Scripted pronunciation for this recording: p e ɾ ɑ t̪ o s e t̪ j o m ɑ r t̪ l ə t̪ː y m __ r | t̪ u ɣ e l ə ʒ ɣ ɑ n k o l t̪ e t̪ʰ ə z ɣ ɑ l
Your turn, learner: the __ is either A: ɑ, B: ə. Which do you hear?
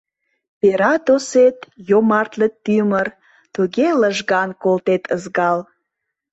B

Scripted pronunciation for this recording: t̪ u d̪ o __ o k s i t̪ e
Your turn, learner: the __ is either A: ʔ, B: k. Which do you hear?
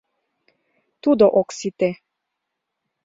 A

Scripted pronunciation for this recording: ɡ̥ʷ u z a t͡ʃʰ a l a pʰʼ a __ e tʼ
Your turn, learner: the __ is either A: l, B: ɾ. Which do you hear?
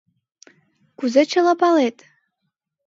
A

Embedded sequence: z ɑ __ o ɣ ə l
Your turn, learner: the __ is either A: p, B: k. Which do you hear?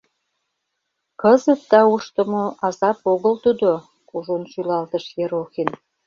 A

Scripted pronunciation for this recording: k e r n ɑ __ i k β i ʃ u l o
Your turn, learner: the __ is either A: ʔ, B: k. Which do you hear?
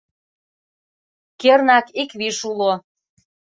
B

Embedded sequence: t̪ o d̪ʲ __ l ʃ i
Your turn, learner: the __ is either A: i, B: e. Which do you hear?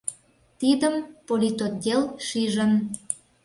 B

